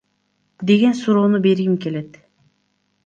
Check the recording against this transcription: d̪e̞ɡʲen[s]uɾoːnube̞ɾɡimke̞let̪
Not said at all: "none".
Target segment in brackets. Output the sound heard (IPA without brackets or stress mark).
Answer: s